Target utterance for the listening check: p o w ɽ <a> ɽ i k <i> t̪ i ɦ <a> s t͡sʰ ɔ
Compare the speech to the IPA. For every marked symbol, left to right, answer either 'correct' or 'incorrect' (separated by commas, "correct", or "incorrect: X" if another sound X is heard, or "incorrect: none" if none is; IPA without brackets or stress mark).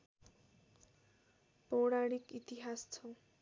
correct, correct, correct